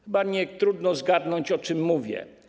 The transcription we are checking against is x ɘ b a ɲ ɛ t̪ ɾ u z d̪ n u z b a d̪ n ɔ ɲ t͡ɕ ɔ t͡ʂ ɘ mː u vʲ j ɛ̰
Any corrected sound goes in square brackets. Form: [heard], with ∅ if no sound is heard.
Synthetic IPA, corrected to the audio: x ɘ b a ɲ ɛ t̪ ɾ u [∅] d̪ n [ɔ] z [ɡ] a d̪ n ɔ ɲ t͡ɕ ɔ t͡ʂ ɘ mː u vʲ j ɛ̰